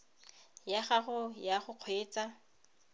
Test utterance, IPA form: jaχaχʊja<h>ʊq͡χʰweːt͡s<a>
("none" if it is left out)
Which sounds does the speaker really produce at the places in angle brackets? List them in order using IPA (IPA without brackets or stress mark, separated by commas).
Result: χ, a